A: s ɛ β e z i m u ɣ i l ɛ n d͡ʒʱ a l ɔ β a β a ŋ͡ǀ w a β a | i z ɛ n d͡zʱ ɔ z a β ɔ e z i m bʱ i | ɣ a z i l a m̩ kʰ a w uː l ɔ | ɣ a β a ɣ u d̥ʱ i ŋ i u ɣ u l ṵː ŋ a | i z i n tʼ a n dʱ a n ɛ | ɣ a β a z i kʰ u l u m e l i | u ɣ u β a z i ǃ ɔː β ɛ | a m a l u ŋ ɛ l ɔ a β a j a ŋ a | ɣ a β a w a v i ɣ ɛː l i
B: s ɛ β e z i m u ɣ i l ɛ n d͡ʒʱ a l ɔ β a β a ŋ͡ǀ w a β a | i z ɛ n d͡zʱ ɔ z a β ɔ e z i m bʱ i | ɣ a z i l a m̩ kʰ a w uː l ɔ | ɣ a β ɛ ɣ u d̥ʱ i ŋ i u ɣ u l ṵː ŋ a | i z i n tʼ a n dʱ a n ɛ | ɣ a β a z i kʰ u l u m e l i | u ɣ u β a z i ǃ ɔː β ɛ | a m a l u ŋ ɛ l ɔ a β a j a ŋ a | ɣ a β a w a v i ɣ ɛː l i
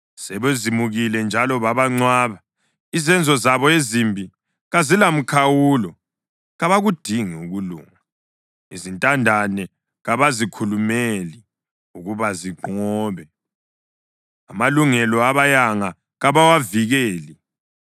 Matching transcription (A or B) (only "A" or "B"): A